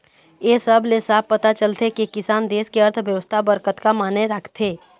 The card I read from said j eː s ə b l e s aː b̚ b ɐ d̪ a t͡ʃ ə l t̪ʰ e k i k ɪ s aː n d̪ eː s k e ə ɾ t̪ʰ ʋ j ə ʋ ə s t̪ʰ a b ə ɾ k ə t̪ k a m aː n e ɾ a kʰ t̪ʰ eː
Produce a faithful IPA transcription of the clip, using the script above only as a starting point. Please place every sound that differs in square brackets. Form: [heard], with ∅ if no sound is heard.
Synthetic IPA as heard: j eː s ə b l e s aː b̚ [p] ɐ [t̪] a t͡ʃ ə l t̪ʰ e k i k ɪ s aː n d̪ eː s k e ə ɾ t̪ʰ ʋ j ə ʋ ə s t̪ʰ a b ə ɾ k ə t̪ k a m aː n e ɾ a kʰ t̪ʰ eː